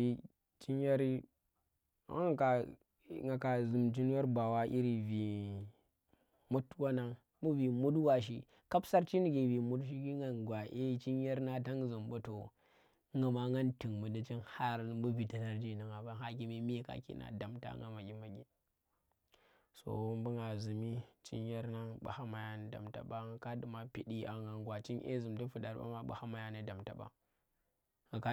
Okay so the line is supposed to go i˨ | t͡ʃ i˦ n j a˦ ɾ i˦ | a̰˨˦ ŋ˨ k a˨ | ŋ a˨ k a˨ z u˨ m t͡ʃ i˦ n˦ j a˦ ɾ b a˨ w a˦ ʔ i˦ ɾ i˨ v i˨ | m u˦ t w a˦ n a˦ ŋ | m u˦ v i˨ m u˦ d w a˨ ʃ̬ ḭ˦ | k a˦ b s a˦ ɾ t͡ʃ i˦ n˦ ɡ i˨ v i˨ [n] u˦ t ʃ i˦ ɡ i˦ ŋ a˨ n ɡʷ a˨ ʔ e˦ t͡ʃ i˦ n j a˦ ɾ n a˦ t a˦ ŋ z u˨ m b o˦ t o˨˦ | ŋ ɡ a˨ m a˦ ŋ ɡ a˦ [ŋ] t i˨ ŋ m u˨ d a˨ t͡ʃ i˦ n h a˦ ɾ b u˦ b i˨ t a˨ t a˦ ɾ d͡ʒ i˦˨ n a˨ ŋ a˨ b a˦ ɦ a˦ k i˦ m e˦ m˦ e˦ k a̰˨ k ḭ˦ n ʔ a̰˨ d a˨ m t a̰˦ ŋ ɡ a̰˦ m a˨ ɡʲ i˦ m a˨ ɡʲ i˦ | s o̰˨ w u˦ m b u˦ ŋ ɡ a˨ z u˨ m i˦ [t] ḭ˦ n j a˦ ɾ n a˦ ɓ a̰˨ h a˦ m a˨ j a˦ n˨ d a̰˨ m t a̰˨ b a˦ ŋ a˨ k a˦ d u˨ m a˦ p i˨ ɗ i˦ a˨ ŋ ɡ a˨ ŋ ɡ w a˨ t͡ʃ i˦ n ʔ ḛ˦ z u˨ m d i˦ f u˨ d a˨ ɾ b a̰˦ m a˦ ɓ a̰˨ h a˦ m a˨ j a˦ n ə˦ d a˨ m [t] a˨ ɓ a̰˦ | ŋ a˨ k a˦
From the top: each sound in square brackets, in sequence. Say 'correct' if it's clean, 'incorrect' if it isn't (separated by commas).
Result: incorrect, incorrect, incorrect, correct